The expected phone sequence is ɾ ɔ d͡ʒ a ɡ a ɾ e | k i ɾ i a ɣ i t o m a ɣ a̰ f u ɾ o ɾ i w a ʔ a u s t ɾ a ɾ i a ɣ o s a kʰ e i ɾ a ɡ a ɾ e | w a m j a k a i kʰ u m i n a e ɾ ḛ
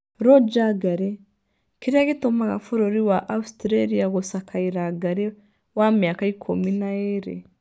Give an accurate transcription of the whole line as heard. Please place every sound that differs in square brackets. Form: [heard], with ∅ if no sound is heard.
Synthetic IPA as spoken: ɾ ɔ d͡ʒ a ɡ a ɾ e | k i ɾ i a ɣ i t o m a ɣ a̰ f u ɾ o ɾ i w a ʔ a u s t ɾ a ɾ i a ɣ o s a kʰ [a] i ɾ a ɡ a ɾ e | w a m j a k a i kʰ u m i n a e ɾ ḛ